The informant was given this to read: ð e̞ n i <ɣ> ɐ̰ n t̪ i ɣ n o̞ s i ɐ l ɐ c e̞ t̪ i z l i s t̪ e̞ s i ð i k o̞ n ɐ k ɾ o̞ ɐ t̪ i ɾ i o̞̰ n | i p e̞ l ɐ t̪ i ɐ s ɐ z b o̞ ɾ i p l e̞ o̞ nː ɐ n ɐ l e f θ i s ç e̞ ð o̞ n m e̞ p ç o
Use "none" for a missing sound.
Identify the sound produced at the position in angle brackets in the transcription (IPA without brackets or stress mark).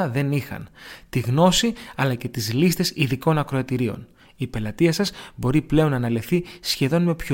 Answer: x